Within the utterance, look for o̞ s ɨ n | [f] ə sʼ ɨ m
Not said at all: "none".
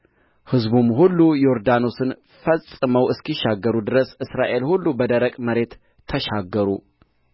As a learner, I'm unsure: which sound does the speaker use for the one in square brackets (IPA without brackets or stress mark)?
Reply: f